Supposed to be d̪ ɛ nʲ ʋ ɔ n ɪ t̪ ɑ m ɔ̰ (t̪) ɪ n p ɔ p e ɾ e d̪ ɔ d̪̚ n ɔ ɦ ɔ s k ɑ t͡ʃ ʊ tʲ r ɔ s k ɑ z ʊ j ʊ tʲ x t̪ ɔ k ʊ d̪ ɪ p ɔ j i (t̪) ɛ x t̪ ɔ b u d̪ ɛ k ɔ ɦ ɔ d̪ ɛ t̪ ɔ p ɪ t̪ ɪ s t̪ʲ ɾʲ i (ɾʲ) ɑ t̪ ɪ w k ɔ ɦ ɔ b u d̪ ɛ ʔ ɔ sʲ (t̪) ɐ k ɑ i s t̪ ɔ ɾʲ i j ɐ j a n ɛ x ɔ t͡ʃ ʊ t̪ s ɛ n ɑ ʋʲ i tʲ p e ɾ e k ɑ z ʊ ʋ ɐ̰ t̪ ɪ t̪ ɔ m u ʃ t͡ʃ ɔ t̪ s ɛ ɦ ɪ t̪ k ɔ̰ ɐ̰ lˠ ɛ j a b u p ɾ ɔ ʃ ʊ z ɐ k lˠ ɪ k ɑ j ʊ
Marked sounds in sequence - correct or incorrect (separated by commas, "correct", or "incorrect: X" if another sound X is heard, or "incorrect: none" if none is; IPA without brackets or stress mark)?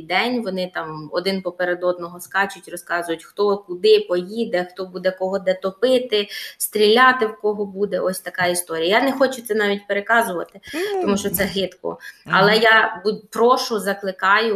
incorrect: d̪, incorrect: d̪, incorrect: lʲ, correct